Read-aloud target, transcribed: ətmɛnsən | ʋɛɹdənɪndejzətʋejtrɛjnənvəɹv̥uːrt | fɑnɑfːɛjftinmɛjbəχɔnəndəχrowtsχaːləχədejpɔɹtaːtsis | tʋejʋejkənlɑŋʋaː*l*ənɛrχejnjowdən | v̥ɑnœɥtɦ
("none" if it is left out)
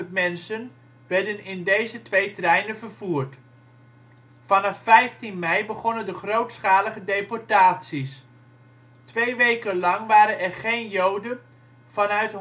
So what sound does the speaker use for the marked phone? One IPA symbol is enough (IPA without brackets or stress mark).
ɾ